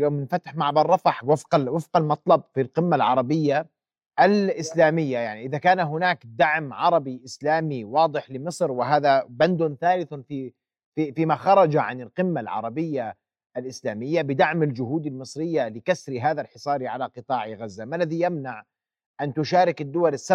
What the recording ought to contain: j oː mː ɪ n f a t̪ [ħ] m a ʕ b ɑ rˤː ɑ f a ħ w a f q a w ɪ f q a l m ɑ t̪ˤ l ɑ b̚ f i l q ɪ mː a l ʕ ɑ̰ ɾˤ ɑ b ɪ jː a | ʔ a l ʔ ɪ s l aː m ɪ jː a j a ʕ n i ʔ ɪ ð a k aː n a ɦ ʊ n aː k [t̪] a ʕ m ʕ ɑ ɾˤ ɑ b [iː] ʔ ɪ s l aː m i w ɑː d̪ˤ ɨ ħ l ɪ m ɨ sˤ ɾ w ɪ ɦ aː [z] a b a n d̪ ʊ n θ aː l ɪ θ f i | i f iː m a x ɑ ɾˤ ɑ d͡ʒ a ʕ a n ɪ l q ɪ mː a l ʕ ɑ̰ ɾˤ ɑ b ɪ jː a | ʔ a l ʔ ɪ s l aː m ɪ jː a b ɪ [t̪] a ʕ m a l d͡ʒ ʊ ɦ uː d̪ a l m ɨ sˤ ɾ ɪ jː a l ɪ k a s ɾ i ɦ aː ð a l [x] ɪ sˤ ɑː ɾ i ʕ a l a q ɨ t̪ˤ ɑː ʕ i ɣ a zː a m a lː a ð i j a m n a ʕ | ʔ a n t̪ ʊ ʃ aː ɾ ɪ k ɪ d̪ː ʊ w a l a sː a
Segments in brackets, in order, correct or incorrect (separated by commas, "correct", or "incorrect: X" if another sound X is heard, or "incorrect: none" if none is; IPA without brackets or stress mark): correct, incorrect: d̪, incorrect: i, incorrect: ð, incorrect: d̪, incorrect: ħ